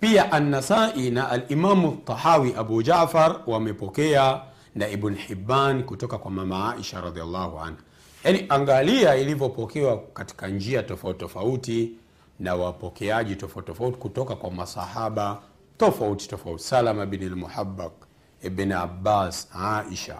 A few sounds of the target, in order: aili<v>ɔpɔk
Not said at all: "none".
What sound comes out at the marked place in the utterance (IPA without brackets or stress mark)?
v